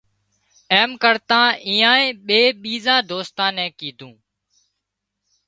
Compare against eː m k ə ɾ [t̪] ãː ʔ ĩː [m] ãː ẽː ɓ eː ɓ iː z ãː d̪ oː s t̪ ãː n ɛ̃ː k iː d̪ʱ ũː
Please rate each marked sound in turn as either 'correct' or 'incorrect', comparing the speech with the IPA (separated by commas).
correct, incorrect